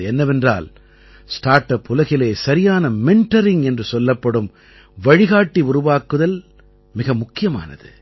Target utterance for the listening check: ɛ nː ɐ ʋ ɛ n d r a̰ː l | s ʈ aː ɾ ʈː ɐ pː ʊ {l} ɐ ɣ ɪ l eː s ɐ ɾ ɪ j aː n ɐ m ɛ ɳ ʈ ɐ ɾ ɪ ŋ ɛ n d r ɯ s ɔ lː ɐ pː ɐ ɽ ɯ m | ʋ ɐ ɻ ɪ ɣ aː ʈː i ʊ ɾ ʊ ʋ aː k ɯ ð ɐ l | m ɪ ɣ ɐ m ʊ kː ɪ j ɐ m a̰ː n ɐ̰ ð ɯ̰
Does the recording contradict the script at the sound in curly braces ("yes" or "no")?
no